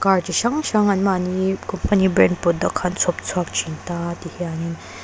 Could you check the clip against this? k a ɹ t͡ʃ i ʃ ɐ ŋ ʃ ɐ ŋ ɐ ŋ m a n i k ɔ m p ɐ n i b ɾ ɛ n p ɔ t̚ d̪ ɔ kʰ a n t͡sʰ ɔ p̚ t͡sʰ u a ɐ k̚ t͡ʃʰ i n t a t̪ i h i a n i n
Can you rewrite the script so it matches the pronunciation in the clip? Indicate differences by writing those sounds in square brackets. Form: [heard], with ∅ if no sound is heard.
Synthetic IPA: k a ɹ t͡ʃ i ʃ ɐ ŋ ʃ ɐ ŋ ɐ [n] m a n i k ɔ m p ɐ n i b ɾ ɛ n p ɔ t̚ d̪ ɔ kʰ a n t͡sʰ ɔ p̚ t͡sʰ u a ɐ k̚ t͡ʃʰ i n t a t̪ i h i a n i n